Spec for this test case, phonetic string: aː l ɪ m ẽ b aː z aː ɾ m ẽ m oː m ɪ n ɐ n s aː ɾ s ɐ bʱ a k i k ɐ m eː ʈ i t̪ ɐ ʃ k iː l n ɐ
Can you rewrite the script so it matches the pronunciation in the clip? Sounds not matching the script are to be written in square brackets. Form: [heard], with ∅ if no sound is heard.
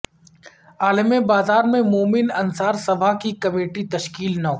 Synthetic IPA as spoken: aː l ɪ m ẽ b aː z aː ɾ m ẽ m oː m ɪ n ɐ n s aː ɾ s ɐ bʱ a k i k ɐ m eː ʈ i t̪ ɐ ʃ k iː l n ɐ